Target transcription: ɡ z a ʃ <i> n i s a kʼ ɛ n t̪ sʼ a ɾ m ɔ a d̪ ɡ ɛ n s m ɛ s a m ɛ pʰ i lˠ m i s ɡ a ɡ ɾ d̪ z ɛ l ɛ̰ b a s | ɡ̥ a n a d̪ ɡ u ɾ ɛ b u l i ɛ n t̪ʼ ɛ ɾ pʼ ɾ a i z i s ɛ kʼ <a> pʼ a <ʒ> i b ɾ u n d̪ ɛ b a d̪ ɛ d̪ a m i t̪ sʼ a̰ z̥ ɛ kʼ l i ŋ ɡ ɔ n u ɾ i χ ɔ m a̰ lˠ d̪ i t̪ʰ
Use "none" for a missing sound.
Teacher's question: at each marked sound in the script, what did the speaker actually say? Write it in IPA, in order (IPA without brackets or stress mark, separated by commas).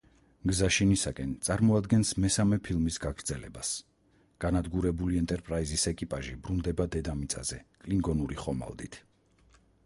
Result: i, i, ʒ